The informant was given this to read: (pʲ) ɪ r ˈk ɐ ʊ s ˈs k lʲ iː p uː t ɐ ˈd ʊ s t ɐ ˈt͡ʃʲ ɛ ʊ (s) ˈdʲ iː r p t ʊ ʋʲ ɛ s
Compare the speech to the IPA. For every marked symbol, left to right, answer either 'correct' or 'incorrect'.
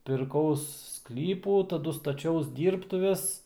correct, correct

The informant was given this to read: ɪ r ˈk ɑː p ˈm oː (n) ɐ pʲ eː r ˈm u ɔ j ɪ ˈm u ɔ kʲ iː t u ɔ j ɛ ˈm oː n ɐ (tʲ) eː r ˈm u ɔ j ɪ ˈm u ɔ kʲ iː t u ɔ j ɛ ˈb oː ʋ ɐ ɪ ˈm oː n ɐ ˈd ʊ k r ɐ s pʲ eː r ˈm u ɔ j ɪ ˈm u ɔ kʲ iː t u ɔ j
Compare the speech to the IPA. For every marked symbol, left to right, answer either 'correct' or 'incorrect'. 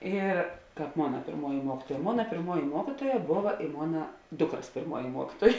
correct, incorrect: pʲ

